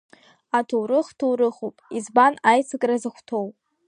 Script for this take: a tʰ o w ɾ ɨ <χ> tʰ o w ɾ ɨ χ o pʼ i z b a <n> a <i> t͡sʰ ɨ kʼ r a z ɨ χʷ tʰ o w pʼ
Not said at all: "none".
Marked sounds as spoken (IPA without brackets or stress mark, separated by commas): χ, n, j